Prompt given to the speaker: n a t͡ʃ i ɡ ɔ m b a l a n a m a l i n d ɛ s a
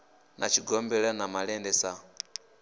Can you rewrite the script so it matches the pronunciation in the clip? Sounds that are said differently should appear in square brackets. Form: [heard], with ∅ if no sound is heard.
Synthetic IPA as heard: n a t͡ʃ i ɡ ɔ m b [ɛ] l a n a m a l [ɛ] n d ɛ s a